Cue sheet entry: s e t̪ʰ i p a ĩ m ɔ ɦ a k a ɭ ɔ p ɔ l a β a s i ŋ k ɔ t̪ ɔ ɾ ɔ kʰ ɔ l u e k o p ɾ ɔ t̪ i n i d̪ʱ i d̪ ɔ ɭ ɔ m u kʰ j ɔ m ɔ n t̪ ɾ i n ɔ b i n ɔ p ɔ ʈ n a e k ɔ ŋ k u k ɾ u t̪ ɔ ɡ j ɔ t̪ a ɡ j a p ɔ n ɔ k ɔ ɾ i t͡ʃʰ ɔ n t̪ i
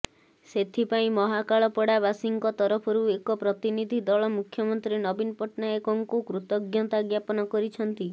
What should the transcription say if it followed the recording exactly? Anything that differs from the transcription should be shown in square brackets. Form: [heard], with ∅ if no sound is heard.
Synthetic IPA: s e t̪ʰ i p a ĩ m ɔ ɦ a k a ɭ ɔ p ɔ [ɽ] a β a s i ŋ k ɔ t̪ ɔ ɾ ɔ [pʰ] ɔ [ɾ] u e k [ɔ] p ɾ ɔ t̪ i n i d̪ʱ i d̪ ɔ ɭ ɔ m u kʰ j ɔ m ɔ n t̪ ɾ i n ɔ b i n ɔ p ɔ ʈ n a e k ɔ ŋ k u k ɾ u t̪ ɔ ɡ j ɔ t̪ a ɡ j a p ɔ n ɔ k ɔ ɾ i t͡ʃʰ ɔ n t̪ i

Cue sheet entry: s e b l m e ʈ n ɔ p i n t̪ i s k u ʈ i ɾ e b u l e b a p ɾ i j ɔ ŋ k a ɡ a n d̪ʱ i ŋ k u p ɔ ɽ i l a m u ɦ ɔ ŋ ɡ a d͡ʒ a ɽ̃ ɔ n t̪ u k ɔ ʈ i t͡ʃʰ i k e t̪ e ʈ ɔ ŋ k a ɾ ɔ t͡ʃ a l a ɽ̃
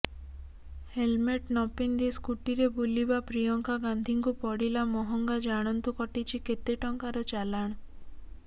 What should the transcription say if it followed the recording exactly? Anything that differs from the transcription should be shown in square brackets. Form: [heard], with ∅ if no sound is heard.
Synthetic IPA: [h] e [∅] l m e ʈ n ɔ p i n [d̪] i s k u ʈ i ɾ e b u l [i] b a p ɾ i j ɔ ŋ k a ɡ a n d̪ʱ i ŋ k u p ɔ ɽ i l a m [ɔ] ɦ ɔ ŋ ɡ a d͡ʒ a ɽ̃ ɔ n t̪ u k ɔ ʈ i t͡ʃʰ i k e t̪ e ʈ ɔ ŋ k a ɾ ɔ t͡ʃ a l a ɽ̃

